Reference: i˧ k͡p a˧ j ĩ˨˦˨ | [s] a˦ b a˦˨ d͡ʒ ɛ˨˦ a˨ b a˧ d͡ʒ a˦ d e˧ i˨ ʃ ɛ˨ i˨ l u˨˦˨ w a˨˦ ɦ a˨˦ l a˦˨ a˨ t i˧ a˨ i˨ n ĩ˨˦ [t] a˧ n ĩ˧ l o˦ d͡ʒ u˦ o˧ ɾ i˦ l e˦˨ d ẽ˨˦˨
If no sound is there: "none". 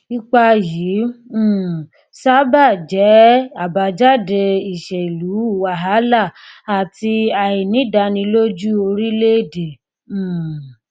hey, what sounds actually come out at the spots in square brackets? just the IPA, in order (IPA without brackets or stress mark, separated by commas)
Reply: s, d